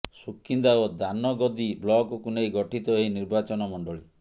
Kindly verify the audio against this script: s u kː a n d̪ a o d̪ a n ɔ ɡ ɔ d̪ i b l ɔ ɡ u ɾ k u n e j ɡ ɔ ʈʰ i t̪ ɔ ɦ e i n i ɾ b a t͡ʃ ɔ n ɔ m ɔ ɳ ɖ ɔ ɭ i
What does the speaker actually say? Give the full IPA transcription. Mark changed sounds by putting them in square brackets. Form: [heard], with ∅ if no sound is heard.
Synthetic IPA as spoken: s u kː [i] n d̪ a o d̪ a n ɔ ɡ ɔ d̪ i b l ɔ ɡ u [∅] k u n e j ɡ ɔ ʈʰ i t̪ ɔ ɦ e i n i ɾ b a t͡ʃ ɔ n ɔ m ɔ ɳ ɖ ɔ ɭ i

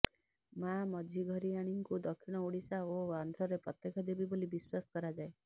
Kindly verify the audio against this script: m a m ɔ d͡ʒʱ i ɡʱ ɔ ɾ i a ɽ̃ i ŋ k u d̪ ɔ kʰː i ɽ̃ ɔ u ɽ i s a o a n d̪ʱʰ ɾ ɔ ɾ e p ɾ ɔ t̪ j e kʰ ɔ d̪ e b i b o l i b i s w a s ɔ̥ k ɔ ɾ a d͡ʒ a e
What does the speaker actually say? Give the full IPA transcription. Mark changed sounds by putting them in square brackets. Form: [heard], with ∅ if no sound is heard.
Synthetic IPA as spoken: m a m ɔ d͡ʒʱ i ɡʱ ɔ ɾ i a ɽ̃ i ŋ k u d̪ ɔ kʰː i ɽ̃ ɔ u ɽ i s a o a n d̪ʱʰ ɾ ɔ ɾ e p ɾ ɔ t̪ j e kʰ ɔ d̪ e b i b o l i b i s w a s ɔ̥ k ɔ ɾ a d͡ʒ a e

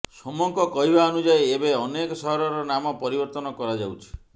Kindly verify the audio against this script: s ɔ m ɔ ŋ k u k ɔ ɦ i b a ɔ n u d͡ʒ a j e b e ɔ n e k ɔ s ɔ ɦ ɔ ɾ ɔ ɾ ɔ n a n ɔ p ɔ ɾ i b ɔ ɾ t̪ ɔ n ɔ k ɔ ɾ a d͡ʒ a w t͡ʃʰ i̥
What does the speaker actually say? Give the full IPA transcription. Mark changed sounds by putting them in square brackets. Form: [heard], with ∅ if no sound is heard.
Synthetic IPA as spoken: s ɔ m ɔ ŋ k [ɔ] k ɔ ɦ i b a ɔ n u d͡ʒ a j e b e ɔ n e k ɔ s ɔ ɦ ɔ ɾ ɔ ɾ ɔ n a [m] ɔ p ɔ ɾ i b ɔ ɾ t̪ ɔ n ɔ k ɔ ɾ a d͡ʒ a w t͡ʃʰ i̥

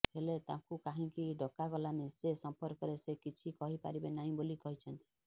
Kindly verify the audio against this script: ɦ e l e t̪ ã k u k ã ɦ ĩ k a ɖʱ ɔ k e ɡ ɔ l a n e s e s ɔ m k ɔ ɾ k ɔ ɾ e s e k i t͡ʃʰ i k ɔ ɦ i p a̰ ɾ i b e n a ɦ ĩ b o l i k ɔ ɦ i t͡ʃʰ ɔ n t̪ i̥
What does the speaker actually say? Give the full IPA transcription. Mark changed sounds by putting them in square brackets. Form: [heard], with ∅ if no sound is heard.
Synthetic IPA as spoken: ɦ e l e t̪ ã k u k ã ɦ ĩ k [i] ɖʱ ɔ k [a] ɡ ɔ l a n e s e s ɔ m [p] ɔ ɾ k ɔ ɾ e s e k i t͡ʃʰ i k ɔ ɦ i p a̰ ɾ i b e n a ɦ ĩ b o l i k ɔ ɦ i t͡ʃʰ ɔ n t̪ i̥

